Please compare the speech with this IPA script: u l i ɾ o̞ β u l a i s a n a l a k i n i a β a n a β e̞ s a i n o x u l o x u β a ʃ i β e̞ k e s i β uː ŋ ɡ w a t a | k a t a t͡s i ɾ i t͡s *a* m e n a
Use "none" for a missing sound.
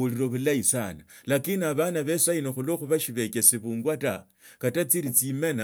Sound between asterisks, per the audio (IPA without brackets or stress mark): i